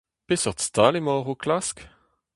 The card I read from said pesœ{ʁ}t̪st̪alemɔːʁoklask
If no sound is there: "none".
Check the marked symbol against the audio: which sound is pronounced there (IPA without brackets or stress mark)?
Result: ʁ